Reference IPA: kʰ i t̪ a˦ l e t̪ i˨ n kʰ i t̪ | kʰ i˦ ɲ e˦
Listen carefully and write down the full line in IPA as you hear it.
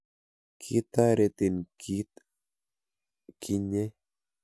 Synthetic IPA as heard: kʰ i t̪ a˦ ɾ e t̪ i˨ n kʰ i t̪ | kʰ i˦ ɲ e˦